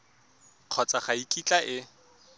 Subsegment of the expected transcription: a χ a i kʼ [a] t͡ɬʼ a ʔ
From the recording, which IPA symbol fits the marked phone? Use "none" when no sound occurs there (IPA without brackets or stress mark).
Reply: i